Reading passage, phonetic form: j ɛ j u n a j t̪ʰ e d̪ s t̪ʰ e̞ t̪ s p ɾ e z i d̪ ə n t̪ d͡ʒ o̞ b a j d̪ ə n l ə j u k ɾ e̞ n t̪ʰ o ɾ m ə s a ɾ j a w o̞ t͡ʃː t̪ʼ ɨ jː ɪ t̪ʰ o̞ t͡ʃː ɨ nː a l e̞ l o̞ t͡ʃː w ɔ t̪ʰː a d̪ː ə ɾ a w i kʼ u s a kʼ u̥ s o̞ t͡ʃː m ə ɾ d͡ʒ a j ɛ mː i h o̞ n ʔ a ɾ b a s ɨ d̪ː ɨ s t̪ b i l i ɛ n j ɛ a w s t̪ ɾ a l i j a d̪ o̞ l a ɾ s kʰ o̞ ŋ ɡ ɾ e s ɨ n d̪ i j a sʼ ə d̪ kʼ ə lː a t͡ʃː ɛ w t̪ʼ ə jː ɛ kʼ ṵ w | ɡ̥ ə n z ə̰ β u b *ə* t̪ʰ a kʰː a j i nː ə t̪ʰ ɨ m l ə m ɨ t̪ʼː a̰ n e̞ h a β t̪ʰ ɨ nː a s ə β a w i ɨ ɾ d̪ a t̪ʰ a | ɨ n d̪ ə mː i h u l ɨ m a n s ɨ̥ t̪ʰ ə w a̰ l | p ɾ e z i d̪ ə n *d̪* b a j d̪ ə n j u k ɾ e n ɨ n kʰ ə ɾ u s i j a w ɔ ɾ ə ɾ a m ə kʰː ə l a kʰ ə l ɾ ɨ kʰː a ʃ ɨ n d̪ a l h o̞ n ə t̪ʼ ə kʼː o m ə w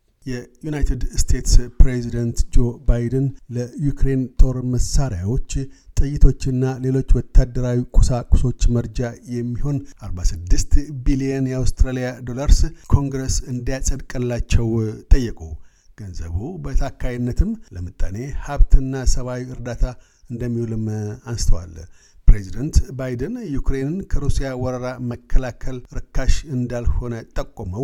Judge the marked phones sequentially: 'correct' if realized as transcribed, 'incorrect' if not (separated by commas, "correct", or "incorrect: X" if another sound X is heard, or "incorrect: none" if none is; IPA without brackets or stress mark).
correct, incorrect: t̪